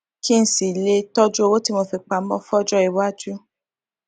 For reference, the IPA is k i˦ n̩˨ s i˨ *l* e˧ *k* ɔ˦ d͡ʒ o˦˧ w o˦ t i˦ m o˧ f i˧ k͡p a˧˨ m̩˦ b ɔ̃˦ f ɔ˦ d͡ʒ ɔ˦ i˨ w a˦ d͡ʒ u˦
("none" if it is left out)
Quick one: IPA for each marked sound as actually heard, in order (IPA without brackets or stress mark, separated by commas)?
l, t